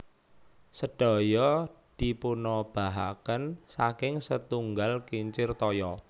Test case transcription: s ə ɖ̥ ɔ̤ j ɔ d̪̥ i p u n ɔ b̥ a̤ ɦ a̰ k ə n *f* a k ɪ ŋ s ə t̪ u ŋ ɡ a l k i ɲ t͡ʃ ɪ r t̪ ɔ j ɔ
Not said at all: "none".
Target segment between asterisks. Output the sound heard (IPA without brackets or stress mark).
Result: s